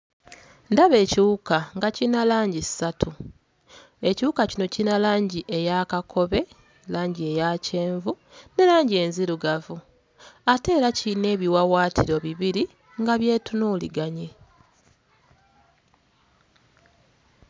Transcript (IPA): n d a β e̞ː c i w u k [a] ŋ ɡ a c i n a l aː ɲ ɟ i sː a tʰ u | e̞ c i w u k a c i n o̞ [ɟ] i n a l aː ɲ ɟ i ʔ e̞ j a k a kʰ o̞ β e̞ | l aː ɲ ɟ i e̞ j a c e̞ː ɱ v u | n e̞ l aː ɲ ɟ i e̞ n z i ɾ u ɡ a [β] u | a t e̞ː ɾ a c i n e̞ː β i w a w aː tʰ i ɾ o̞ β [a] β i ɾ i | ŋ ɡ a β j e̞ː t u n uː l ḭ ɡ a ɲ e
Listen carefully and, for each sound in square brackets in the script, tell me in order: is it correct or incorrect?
correct, incorrect, incorrect, incorrect

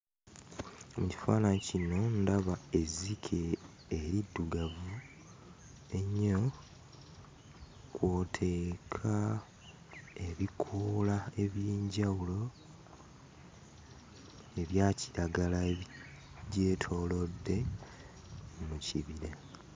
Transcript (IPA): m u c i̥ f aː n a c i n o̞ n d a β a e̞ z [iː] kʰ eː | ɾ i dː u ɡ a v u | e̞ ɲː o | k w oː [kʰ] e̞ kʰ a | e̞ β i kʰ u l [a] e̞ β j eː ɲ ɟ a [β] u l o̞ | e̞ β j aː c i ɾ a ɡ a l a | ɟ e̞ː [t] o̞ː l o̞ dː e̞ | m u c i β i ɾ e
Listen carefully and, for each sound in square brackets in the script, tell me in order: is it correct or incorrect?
incorrect, incorrect, correct, incorrect, incorrect

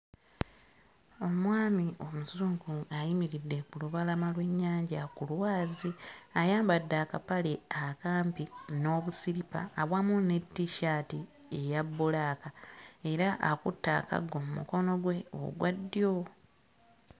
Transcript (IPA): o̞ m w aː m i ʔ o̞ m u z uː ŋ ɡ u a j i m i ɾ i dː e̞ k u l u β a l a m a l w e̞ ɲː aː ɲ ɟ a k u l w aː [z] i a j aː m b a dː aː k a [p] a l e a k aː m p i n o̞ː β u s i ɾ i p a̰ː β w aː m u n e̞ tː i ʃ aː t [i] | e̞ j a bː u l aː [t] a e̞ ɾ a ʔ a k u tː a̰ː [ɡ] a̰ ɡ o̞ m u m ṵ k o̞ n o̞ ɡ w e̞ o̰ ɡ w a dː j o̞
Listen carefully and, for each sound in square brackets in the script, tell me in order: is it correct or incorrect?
correct, correct, correct, incorrect, incorrect

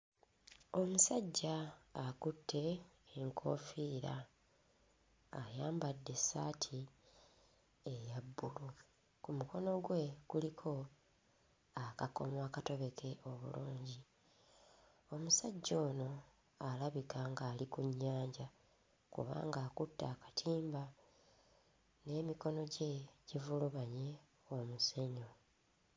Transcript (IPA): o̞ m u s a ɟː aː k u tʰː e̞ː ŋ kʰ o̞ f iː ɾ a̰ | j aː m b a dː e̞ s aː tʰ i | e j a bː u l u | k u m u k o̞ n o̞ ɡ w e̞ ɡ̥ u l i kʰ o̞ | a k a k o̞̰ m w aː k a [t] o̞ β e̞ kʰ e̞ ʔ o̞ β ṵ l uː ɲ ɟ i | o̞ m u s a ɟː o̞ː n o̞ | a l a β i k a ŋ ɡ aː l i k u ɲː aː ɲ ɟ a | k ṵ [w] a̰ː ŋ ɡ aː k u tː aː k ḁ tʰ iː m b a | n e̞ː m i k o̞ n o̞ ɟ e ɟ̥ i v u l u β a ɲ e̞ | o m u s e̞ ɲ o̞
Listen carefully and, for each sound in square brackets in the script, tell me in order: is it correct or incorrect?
correct, incorrect

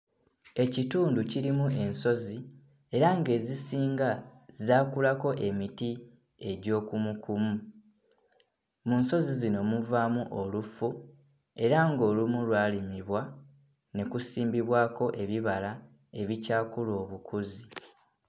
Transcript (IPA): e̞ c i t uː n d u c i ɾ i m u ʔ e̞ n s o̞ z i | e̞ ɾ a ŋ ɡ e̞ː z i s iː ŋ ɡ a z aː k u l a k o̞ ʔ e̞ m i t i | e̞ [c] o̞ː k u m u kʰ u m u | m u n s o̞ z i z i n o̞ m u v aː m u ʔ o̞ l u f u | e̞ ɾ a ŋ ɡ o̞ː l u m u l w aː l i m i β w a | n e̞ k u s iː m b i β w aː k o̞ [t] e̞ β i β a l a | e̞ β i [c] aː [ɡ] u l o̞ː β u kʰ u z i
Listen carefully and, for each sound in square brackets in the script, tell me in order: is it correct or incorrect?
incorrect, incorrect, correct, incorrect

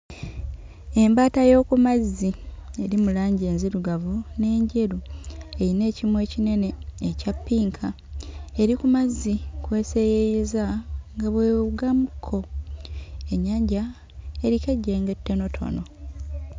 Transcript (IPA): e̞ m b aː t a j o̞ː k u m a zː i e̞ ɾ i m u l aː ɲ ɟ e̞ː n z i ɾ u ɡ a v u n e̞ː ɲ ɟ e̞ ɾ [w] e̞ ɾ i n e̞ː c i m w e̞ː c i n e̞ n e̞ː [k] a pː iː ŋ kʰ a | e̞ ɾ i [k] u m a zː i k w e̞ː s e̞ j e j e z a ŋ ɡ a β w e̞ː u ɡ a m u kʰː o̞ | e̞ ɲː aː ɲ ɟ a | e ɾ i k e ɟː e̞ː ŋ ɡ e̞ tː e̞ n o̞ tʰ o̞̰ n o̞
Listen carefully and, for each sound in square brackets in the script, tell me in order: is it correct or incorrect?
incorrect, incorrect, correct

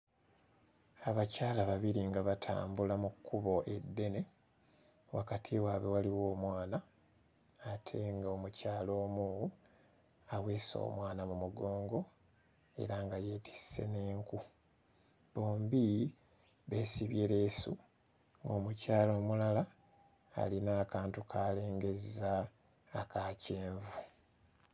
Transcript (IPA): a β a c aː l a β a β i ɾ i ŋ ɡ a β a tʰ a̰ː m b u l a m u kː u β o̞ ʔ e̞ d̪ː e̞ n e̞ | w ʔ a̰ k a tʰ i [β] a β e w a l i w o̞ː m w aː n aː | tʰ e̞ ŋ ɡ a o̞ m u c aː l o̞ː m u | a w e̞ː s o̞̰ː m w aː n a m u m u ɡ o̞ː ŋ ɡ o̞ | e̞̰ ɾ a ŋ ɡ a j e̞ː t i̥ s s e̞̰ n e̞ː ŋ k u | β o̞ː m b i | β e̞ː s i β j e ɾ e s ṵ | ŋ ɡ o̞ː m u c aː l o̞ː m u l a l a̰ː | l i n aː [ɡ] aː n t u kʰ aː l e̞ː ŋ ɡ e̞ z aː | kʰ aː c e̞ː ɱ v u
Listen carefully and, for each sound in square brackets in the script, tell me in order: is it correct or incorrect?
incorrect, incorrect

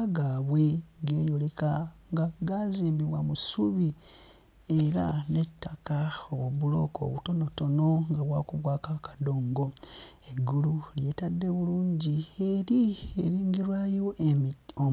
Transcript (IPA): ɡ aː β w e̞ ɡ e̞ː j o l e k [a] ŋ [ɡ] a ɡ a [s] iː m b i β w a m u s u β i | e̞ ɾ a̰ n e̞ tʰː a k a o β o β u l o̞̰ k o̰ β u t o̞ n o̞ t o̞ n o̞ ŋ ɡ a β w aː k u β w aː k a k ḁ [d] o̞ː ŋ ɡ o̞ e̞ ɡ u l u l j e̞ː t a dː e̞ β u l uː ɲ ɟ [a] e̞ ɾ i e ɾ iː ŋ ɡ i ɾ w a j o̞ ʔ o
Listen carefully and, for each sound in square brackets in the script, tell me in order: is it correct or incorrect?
correct, correct, incorrect, correct, incorrect

